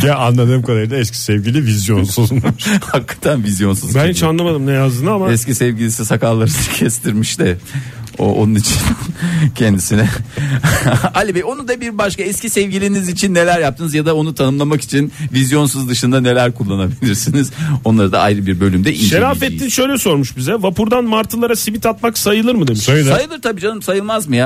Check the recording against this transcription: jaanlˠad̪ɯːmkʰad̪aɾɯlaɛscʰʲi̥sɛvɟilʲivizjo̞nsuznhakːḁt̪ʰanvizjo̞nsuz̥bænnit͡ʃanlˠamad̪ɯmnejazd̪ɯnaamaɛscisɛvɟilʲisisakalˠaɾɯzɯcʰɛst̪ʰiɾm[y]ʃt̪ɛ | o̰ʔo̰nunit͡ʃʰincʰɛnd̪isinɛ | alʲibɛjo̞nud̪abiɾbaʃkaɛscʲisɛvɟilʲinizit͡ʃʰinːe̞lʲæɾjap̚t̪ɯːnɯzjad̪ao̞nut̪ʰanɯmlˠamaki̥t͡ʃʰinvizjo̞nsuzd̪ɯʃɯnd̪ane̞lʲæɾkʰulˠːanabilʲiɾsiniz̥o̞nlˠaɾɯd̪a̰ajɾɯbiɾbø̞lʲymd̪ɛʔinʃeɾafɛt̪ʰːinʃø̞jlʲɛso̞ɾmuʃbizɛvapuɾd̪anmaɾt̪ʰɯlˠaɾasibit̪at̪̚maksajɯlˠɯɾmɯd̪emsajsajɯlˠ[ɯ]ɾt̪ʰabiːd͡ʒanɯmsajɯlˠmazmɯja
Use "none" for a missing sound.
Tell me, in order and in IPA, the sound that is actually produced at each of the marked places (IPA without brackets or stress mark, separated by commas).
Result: i, ɯ